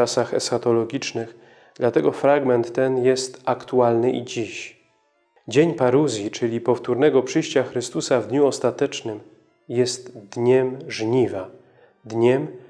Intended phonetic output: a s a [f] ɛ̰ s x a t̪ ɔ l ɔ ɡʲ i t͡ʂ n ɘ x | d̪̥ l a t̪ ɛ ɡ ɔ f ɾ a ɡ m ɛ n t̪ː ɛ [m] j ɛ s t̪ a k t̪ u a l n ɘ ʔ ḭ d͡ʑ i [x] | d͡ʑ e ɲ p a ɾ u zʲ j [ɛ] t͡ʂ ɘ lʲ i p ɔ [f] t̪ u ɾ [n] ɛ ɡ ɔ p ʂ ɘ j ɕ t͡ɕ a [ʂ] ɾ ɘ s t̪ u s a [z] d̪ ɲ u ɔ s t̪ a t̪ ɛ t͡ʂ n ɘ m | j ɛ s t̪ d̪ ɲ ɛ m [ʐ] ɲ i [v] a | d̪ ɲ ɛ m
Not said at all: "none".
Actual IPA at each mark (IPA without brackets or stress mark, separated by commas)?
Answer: x, n, ɕ, i, f, n, x, v, ʐ, v